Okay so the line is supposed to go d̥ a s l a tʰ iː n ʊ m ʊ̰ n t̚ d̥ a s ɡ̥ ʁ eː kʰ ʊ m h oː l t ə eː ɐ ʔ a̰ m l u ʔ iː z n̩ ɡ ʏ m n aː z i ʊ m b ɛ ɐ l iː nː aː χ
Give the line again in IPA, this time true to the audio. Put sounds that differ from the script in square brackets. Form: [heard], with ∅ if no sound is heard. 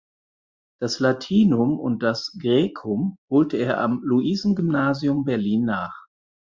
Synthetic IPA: d̥ a s l a tʰ iː n ʊ m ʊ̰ n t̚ d̥ a s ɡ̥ ʁ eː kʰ ʊ m h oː l t ə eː ɐ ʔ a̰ m l u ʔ iː z n̩ ɡ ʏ m n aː z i ʊ m b ɛ ɐ l iː nː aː χ